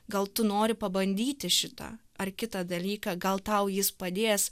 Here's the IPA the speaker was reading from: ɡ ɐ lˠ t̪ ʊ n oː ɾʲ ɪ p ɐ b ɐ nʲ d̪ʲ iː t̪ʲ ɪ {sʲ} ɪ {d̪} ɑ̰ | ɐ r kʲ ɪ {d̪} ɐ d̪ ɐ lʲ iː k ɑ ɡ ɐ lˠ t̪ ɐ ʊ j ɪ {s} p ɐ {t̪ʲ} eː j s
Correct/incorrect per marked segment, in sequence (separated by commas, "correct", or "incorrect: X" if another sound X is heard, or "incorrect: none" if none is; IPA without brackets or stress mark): incorrect: ʃʲ, incorrect: t̪, incorrect: t̪, correct, incorrect: d̪ʲ